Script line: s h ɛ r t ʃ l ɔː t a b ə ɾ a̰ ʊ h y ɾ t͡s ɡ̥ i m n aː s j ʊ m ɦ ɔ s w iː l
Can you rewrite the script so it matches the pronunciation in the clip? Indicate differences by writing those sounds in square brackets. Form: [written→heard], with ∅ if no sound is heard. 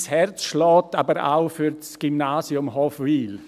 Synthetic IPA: s h ɛ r [t→t͡s] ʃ l ɔː t a b ə ɾ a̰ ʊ [h→f] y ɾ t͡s ɡ̥ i m n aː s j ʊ m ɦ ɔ [s→f] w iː l